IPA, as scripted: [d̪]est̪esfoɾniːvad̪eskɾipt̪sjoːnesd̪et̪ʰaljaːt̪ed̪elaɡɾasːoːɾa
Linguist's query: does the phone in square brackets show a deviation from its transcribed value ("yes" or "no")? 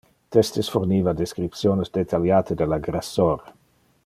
yes